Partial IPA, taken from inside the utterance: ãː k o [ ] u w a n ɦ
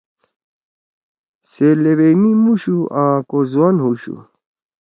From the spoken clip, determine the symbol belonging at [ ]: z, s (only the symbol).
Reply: z